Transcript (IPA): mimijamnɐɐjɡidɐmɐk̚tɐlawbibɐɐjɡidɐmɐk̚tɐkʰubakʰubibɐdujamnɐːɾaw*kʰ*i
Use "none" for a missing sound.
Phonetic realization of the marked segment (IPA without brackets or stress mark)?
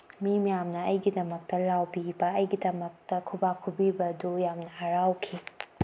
kʰ